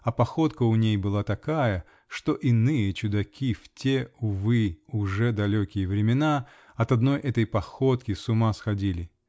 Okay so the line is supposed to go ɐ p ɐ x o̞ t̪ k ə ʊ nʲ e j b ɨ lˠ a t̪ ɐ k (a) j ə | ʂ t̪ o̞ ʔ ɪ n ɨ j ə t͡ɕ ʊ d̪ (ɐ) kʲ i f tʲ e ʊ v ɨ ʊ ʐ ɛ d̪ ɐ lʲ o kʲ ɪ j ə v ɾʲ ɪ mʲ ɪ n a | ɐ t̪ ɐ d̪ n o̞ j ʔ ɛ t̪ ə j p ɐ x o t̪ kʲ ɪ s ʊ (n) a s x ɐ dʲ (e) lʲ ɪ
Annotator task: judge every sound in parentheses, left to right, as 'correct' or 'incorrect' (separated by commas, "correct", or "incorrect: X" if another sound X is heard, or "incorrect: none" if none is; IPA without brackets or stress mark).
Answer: correct, correct, incorrect: m, incorrect: i